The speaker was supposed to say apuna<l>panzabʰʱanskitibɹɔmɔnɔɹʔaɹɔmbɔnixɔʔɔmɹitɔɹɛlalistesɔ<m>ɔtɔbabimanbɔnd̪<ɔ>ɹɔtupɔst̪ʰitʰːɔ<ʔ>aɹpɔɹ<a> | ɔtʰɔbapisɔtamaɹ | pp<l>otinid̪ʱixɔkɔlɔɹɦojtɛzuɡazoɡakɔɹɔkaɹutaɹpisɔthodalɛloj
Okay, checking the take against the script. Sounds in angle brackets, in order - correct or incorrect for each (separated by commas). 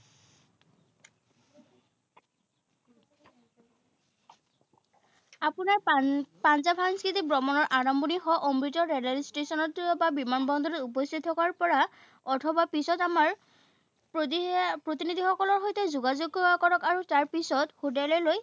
incorrect, incorrect, correct, incorrect, correct, incorrect